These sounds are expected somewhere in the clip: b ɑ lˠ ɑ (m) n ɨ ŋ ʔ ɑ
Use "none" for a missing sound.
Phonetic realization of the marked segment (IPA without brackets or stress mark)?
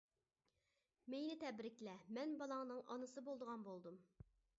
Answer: ŋ